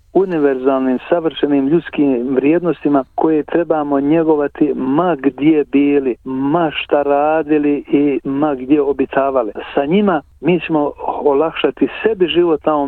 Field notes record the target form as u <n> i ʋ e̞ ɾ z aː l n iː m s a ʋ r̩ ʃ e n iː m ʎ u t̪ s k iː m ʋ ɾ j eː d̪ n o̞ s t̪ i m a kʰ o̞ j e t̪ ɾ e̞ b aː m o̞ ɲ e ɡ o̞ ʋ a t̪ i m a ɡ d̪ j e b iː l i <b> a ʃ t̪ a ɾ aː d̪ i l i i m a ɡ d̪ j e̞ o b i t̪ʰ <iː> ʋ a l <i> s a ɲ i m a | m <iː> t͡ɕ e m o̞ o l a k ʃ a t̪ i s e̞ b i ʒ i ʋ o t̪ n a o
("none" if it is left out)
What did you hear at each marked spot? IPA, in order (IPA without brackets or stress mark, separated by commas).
n, m, aː, i, iː